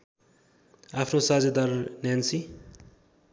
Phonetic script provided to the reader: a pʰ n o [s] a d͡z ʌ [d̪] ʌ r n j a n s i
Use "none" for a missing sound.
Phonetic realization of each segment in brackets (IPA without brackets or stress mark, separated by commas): s, d̪